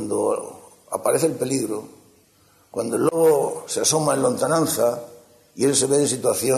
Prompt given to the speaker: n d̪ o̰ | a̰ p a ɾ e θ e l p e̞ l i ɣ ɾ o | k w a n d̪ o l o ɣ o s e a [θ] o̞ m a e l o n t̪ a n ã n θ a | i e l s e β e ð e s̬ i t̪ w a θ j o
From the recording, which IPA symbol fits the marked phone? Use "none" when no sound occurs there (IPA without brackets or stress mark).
s